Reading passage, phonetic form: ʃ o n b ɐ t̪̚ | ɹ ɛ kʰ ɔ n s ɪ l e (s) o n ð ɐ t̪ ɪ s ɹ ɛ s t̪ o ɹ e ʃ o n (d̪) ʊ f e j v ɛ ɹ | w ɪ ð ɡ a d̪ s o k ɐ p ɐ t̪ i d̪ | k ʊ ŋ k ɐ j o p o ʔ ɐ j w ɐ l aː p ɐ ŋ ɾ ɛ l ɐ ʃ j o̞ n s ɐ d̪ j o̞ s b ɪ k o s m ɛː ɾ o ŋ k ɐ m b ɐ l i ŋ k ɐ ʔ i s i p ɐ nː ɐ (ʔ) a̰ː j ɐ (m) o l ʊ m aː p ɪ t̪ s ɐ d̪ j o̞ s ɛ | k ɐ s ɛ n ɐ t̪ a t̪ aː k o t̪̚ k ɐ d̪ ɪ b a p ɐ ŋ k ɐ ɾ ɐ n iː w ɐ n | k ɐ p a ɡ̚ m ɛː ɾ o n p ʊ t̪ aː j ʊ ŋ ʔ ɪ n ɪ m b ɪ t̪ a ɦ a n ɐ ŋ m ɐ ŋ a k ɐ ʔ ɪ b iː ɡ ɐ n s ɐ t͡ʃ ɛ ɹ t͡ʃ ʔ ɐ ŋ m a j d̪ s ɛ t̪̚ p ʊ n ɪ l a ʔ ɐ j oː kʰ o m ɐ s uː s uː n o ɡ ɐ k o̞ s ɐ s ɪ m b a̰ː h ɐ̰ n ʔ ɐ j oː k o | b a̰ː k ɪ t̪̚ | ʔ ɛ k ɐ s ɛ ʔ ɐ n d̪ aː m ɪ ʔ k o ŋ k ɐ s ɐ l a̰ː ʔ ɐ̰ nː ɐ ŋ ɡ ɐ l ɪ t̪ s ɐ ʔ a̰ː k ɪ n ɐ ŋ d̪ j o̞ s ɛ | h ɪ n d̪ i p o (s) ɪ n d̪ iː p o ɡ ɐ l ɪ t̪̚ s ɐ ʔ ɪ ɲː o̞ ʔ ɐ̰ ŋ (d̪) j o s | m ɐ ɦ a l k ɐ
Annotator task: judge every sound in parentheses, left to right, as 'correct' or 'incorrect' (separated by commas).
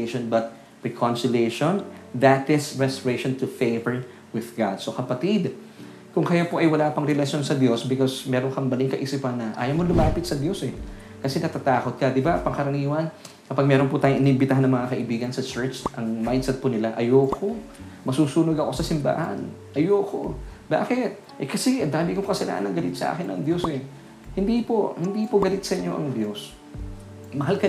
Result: incorrect, incorrect, correct, correct, incorrect, correct